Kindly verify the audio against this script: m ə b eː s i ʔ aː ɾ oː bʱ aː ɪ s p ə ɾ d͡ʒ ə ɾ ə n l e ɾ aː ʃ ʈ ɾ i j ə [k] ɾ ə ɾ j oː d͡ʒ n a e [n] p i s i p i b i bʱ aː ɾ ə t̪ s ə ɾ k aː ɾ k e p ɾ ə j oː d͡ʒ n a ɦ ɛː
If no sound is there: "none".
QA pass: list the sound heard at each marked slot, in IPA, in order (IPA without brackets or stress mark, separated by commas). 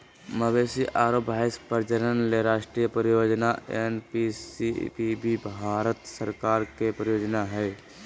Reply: p, n